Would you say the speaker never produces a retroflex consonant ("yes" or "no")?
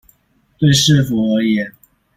no